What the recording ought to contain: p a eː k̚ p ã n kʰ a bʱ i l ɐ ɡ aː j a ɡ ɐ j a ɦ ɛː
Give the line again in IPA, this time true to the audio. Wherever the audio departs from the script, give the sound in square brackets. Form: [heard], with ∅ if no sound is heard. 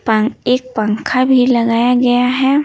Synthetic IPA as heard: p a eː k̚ p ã [ŋ] kʰ a bʱ i l ɐ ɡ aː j a ɡ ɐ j a ɦ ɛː